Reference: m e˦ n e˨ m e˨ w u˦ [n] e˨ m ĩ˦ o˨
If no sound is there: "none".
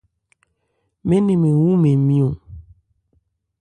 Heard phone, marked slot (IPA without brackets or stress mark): m